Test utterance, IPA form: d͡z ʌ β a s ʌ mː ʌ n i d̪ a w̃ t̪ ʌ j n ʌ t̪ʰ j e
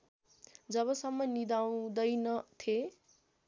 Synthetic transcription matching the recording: d͡z ʌ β ʌ s ʌ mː ʌ n i d̪ a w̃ d̪ ʌ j n ʌ t̪ʰ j e